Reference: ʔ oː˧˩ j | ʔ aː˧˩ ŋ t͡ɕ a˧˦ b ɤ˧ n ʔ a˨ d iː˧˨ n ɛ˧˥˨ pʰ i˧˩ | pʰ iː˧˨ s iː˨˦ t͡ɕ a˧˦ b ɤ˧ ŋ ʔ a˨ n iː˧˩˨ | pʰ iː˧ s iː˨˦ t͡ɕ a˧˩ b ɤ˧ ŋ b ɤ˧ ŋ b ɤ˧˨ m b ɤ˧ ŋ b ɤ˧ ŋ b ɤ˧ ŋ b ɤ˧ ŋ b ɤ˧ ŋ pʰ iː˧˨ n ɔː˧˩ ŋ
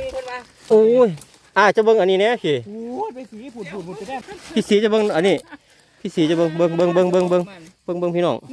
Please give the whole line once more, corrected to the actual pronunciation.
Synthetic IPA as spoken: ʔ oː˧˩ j | ʔ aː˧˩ t͡ɕ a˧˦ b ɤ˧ ŋ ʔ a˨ n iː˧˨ n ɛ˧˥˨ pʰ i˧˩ | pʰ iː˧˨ s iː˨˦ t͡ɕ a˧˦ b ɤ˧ ŋ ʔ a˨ n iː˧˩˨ | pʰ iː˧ s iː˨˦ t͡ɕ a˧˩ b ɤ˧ ŋ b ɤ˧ ŋ b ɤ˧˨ ŋ b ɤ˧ ŋ b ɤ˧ ŋ b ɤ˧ ŋ b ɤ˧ ŋ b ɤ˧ ŋ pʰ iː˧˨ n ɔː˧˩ ŋ